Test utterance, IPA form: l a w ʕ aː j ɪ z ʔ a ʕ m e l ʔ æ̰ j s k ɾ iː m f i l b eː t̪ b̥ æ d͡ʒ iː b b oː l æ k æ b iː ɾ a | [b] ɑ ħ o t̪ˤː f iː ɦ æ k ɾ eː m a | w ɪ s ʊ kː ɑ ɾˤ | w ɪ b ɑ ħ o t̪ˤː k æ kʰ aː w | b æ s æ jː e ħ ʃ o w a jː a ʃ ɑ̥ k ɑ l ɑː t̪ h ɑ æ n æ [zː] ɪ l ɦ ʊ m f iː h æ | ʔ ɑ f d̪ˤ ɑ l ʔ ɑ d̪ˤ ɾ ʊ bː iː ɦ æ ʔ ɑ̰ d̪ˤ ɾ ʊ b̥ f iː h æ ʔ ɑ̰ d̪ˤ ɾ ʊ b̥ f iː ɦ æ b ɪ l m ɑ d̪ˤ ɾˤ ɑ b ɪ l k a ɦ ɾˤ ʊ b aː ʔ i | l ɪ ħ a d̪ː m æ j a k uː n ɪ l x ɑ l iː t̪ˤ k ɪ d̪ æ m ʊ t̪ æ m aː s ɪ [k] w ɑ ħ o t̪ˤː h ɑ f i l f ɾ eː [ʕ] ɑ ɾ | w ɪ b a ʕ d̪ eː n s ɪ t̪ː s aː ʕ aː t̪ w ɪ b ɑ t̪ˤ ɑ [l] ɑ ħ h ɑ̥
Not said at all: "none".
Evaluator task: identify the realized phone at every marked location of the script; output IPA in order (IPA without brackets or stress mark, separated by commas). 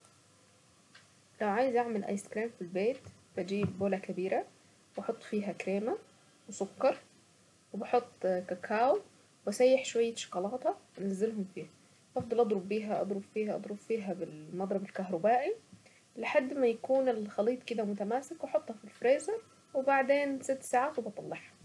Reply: w, zː, k, z, lː